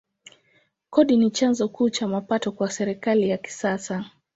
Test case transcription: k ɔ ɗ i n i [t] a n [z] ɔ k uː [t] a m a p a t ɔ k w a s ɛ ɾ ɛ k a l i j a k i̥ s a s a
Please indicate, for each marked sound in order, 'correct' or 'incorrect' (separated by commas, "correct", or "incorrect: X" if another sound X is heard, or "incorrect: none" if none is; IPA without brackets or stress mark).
incorrect: t͡ʃ, correct, incorrect: t͡ʃ